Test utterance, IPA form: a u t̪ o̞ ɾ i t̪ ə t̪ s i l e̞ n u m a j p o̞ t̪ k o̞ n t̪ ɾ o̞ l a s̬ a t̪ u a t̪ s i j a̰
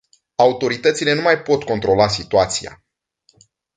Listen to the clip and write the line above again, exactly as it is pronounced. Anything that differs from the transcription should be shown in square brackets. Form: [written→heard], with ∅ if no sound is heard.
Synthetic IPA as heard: a u t̪ o̞ ɾ i t̪ ə t̪ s i l e̞ n u m a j p o̞ t̪ k o̞ n t̪ ɾ o̞ l a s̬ [a→i] t̪ u a t̪ s i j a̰